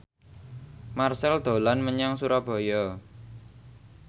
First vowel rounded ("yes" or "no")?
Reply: no